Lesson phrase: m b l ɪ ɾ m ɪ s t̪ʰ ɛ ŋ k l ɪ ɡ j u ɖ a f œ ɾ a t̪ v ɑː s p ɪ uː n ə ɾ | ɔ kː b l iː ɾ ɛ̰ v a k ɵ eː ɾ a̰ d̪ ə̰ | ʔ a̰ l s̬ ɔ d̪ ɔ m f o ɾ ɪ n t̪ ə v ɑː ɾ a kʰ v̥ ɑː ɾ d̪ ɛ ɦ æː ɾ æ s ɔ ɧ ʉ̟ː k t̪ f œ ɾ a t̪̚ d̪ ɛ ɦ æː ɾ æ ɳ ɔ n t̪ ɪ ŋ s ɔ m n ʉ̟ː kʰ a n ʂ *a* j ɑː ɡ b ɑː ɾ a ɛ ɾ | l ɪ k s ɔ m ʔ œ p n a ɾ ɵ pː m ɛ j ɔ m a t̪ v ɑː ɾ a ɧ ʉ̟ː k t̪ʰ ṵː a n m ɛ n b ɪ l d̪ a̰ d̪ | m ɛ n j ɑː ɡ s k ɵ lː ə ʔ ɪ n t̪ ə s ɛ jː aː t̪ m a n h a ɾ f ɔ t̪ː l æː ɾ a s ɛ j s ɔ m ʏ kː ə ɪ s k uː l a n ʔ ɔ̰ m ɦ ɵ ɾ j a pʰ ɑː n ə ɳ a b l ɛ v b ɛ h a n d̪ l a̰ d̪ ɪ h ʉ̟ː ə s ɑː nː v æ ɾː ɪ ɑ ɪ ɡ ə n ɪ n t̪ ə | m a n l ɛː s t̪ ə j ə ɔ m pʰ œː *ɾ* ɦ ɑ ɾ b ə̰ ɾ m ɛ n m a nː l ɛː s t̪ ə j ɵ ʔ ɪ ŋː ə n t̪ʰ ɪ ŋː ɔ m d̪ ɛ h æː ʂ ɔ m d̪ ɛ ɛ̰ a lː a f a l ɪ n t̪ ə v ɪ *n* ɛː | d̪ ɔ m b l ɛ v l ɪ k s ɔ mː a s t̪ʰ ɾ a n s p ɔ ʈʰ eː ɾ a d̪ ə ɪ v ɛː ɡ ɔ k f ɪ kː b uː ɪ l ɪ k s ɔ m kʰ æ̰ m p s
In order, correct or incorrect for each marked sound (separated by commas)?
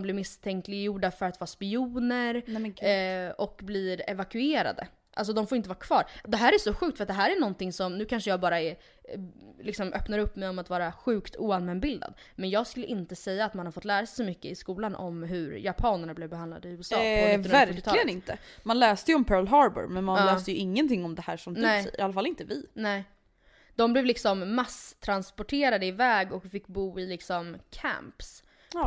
incorrect, incorrect, correct